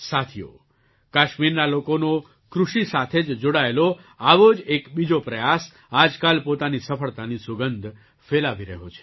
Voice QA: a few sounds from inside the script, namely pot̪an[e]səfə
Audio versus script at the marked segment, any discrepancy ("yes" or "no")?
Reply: yes